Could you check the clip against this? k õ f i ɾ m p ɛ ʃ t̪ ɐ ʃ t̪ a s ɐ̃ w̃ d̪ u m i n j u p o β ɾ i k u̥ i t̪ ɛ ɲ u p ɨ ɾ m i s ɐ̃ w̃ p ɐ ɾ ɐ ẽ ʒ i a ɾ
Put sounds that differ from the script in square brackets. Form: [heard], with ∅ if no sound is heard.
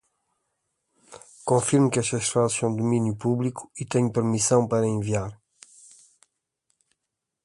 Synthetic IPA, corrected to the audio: k õ f i ɾ m [k] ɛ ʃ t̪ ɐ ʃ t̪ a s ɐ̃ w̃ d̪ u m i n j u p [u] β [l] i k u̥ i t̪ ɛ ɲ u p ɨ ɾ m i s ɐ̃ w̃ p ɐ ɾ ɐ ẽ [v] i a ɾ